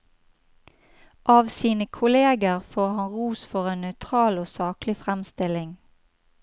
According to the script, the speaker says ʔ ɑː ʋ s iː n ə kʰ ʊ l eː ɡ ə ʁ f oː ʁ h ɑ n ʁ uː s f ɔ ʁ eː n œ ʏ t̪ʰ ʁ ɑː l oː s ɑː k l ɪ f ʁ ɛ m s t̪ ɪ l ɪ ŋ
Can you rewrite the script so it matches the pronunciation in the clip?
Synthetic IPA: ʔ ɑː ʋ s iː n ə kʰ ʊ l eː ɡ ə ʁ f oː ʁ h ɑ n ʁ uː s f ɔ ʁ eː n œ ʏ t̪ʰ ʁ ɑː l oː s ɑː k l ɪ f ʁ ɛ m s t̪ ɪ l ɪ ŋ